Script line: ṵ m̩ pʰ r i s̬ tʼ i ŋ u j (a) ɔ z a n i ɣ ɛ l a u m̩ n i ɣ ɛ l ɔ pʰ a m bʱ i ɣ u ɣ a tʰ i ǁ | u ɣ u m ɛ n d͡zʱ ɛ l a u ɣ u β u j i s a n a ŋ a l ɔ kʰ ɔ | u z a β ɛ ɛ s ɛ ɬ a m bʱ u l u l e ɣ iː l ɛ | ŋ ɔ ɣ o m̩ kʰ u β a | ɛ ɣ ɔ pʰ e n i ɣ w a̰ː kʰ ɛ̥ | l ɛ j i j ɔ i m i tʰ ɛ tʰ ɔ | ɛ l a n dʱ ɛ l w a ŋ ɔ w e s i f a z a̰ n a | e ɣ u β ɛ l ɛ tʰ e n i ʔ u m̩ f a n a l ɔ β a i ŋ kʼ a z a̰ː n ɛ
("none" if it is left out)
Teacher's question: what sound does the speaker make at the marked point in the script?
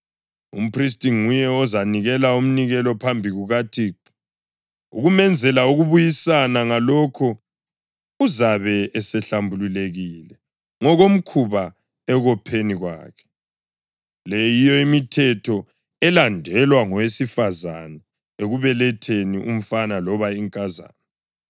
ɛ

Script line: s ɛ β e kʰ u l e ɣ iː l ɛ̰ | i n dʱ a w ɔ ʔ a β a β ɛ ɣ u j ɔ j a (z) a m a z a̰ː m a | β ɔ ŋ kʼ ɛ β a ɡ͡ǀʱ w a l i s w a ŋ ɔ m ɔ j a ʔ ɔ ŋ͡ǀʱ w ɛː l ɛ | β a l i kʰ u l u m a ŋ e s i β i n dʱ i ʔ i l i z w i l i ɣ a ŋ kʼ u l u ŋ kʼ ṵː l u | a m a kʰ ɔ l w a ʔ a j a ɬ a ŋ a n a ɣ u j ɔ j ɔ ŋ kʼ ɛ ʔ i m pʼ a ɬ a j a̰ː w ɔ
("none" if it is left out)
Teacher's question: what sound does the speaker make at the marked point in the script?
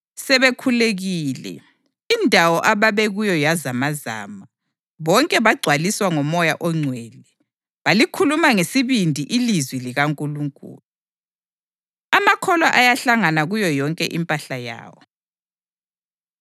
z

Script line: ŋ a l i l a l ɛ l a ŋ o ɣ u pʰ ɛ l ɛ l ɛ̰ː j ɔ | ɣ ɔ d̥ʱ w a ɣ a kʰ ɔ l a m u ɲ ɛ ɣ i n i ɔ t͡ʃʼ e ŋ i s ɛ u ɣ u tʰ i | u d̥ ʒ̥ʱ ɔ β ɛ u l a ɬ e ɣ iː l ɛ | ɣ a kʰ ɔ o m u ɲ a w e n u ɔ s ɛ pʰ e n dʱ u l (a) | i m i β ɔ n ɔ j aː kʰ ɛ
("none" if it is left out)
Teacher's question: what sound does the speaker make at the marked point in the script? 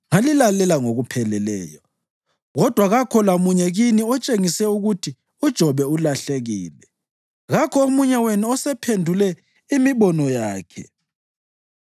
ɛ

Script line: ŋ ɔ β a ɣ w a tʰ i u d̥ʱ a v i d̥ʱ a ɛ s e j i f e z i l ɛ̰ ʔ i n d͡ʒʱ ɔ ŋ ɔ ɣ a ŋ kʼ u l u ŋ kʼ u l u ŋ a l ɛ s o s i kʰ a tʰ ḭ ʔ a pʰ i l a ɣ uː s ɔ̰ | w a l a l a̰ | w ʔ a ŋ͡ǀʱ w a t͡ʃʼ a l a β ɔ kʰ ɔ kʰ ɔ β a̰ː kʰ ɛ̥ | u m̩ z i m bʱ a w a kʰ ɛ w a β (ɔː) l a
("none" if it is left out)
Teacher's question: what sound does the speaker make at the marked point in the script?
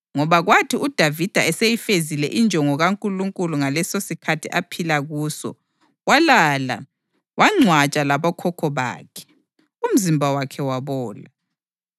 ɔː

